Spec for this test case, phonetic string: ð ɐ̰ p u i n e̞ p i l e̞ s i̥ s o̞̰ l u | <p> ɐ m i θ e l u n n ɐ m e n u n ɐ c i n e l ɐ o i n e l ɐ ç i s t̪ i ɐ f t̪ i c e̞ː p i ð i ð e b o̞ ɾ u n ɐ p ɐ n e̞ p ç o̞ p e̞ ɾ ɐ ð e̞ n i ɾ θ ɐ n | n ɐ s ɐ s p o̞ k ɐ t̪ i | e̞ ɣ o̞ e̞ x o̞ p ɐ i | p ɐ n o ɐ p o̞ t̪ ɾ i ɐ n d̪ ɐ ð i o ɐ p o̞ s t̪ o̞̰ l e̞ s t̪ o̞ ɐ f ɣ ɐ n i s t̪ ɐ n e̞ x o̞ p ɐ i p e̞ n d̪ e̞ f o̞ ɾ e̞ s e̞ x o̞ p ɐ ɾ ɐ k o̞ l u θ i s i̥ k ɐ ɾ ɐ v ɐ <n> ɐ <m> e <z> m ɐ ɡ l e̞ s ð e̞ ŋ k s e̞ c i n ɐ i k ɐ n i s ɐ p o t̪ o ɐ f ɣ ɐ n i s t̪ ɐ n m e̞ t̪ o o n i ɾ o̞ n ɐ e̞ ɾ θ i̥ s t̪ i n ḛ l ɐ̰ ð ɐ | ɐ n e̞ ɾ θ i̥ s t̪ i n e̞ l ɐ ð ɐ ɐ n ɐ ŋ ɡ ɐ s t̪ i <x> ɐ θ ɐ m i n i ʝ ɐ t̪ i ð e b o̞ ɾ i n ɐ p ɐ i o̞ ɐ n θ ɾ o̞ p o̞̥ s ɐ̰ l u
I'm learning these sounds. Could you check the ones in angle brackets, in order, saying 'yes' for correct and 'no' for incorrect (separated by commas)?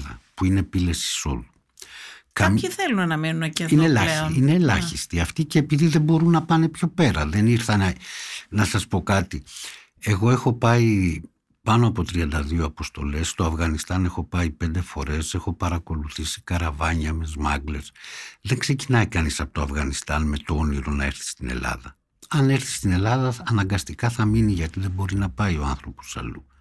no, no, yes, yes, no